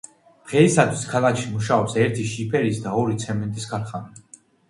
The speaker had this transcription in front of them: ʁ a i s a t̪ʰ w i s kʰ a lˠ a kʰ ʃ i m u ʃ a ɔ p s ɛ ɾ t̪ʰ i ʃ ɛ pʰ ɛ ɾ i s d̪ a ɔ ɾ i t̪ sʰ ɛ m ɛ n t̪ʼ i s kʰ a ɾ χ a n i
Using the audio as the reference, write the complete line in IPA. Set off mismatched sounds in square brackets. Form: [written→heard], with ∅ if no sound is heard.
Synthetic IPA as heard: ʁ [a→ɛ] i s a t̪ʰ w i s kʰ a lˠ a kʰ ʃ i m u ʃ a ɔ p s ɛ ɾ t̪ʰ i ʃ [ɛ→i] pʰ ɛ ɾ i s d̪ a ɔ ɾ i t̪ sʰ ɛ m ɛ n t̪ʼ i s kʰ a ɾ χ a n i